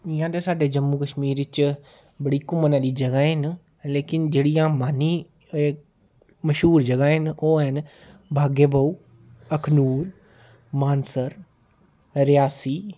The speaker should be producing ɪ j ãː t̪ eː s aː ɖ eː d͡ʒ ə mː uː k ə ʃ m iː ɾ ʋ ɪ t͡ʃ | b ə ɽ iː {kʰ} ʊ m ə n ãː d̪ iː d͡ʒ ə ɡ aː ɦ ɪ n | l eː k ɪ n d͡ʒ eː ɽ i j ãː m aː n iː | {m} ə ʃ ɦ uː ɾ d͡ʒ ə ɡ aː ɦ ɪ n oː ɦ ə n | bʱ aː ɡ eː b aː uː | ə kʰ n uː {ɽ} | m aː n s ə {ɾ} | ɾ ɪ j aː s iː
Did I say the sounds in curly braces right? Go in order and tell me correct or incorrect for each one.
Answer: incorrect: k, correct, incorrect: ɾ, correct

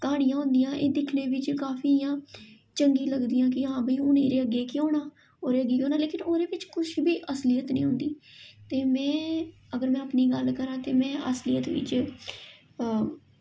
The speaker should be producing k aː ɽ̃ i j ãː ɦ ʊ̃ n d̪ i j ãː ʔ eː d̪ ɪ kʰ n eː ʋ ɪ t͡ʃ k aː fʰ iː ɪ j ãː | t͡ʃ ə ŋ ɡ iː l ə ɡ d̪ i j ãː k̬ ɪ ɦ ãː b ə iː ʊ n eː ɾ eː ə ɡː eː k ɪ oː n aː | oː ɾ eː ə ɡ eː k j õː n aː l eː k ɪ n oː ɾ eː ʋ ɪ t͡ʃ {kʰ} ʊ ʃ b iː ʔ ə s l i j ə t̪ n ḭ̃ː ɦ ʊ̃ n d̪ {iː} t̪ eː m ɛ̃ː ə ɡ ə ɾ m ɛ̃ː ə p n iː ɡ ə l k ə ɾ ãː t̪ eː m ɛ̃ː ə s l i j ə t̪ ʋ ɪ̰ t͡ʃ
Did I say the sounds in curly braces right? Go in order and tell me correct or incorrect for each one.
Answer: incorrect: k, correct

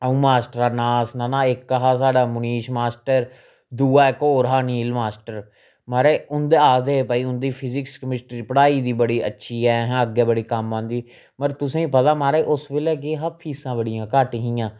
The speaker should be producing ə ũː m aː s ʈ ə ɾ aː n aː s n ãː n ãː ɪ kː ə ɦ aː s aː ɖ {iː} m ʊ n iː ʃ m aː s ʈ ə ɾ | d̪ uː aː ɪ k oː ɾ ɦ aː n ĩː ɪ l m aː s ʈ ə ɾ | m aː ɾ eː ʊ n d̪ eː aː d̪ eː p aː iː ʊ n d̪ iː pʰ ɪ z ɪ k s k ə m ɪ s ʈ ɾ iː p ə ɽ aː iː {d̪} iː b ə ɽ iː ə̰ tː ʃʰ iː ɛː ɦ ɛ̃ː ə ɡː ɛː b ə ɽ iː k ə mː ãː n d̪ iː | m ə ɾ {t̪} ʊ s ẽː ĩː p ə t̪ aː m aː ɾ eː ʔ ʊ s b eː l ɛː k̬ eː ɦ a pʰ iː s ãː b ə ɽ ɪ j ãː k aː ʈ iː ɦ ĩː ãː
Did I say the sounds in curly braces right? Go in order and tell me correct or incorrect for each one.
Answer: incorrect: aː, correct, correct

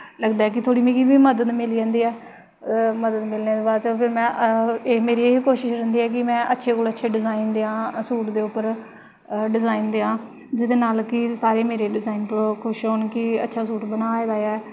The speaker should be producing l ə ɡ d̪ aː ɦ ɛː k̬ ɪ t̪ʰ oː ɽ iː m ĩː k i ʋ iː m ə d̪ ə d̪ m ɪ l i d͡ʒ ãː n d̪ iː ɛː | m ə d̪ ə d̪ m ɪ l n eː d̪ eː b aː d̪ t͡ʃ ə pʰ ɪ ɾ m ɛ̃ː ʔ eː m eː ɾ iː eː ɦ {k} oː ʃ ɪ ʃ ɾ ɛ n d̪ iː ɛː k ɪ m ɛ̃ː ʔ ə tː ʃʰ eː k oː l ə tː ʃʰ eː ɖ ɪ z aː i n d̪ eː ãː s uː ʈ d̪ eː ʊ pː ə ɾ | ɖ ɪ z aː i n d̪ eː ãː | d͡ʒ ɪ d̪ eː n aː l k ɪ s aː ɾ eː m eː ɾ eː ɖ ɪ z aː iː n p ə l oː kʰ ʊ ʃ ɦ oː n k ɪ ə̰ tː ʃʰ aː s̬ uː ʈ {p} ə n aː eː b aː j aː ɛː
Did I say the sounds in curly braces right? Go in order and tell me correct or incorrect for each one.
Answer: correct, incorrect: b

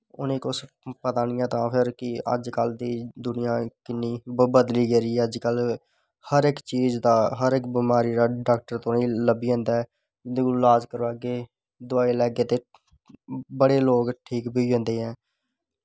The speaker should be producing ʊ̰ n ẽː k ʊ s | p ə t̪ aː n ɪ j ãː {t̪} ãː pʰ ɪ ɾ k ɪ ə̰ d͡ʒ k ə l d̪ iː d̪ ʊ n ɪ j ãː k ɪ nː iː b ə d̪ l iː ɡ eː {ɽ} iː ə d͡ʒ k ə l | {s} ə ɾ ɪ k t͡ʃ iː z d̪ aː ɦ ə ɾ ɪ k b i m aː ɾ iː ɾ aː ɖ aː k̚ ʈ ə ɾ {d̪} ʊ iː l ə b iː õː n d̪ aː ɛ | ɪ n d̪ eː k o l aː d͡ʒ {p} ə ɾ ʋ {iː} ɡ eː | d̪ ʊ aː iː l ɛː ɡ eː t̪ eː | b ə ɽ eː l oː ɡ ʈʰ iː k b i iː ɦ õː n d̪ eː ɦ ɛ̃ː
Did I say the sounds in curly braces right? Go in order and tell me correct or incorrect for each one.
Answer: correct, incorrect: ɾ, incorrect: h, incorrect: t̪, incorrect: k, incorrect: aː

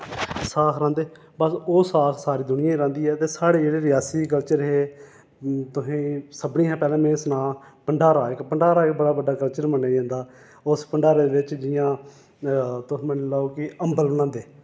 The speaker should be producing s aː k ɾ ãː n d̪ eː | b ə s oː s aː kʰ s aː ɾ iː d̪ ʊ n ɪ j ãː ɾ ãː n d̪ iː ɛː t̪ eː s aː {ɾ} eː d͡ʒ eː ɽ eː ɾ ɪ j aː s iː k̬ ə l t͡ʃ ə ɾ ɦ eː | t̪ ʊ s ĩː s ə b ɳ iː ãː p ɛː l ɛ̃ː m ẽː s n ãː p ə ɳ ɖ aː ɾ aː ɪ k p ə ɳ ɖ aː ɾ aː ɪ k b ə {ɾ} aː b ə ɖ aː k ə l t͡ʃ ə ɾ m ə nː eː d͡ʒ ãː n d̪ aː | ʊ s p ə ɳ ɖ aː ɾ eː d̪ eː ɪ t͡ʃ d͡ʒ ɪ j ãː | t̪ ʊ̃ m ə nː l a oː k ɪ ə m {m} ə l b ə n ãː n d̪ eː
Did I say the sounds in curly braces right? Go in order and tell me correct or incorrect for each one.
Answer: incorrect: ɽ, incorrect: ɽ, incorrect: b

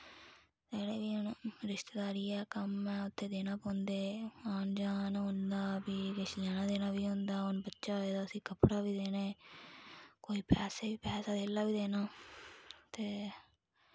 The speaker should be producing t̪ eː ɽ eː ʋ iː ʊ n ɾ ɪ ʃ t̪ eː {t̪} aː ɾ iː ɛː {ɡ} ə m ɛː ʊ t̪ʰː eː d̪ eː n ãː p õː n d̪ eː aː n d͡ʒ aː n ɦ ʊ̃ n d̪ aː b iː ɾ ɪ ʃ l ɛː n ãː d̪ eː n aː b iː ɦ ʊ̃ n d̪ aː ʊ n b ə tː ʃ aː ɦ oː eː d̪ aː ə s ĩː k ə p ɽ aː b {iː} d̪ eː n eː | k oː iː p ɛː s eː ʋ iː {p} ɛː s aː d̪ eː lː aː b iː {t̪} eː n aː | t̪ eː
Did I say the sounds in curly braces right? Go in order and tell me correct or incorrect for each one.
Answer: incorrect: d̪, incorrect: k, correct, correct, incorrect: d̪

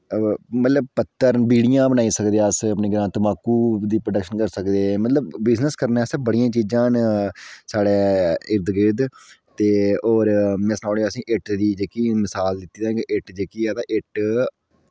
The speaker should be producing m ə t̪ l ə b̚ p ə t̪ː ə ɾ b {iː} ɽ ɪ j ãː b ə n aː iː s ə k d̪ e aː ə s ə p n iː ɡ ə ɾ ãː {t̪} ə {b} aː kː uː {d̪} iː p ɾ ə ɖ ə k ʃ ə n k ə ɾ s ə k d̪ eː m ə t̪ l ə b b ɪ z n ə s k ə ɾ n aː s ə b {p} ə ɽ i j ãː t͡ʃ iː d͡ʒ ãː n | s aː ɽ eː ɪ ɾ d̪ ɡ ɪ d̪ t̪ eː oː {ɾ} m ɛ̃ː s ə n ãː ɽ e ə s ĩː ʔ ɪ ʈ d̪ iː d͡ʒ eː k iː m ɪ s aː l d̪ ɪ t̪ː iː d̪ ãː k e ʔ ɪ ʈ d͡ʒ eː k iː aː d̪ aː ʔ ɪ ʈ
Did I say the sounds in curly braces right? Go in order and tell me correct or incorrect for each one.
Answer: correct, correct, incorrect: m, correct, incorrect: b, correct

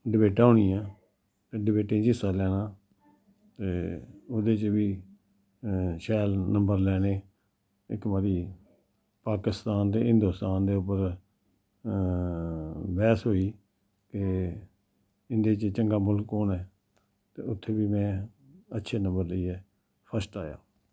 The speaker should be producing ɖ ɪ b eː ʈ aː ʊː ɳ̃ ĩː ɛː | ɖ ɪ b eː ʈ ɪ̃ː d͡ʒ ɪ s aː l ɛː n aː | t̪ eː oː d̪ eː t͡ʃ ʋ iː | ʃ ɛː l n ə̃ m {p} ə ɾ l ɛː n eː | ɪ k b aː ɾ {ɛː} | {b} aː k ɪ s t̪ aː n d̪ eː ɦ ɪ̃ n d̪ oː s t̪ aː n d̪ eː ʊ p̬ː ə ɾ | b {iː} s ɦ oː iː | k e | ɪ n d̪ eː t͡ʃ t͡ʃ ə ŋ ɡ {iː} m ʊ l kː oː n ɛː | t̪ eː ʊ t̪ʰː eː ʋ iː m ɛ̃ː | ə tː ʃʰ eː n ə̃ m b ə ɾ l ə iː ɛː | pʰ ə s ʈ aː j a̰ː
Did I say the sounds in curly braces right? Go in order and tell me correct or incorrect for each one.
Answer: incorrect: b, incorrect: iː, incorrect: p, incorrect: ɛː, incorrect: aː

